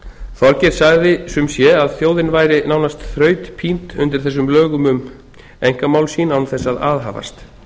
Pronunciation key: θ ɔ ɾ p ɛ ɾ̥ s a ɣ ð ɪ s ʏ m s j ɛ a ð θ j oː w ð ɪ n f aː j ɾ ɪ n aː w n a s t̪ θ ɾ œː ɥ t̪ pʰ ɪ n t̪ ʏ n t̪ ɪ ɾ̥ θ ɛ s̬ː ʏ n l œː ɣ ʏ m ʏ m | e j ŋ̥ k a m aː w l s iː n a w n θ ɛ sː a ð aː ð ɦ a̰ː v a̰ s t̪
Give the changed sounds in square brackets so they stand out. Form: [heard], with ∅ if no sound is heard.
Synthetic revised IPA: θ ɔ ɾ [c] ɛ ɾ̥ s a ɣ ð ɪ s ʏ m s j ɛ a ð θ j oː w ð ɪ n [v] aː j ɾ ɪ n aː w n a s t̪ θ ɾ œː ɥ t̪ pʰ [i] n t̪ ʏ n t̪ ɪ ɾ̥ θ ɛ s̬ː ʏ [m] l œː ɣ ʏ m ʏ m | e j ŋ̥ k a m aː w l s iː n a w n θ ɛ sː a ð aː ð ɦ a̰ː v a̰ s t̪